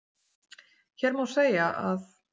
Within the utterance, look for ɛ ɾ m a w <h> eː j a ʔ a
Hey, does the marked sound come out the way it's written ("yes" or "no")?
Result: no